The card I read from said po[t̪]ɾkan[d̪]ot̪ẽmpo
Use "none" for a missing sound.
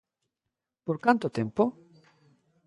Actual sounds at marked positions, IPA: none, t̪

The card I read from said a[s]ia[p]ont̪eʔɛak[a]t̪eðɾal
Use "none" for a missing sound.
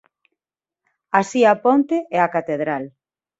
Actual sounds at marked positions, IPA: s, p, a

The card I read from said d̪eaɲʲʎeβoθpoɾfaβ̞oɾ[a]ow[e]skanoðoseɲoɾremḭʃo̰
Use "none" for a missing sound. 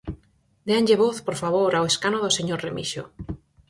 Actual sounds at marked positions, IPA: a, e

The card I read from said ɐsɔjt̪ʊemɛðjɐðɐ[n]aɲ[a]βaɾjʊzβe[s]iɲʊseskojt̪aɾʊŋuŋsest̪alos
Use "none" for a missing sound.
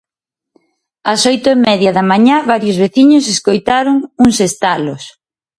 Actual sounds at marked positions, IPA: m, a, θ

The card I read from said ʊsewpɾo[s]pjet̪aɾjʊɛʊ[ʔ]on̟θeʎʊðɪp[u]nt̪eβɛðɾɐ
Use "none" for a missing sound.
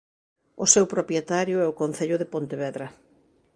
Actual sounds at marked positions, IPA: none, k, o

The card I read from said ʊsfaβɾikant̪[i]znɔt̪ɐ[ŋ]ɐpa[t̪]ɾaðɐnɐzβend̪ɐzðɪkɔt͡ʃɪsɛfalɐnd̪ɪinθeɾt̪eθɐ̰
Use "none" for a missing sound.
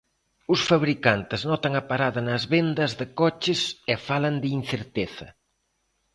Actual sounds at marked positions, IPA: ɪ, ŋ, none

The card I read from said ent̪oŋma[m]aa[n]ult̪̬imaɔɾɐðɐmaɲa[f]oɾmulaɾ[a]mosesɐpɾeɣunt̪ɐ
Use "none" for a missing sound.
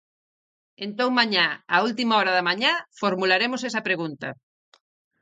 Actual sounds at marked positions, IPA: ɲ, none, f, e

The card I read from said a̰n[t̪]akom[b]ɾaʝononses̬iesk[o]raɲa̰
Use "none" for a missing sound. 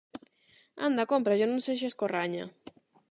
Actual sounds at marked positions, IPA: d̪, p, o

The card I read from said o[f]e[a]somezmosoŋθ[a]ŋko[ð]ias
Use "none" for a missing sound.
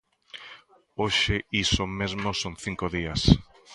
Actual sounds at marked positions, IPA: ʃ, i, i, ð

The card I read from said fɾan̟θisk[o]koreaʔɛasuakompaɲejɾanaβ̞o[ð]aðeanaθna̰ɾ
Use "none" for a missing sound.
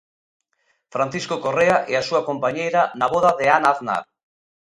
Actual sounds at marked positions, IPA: o, ð

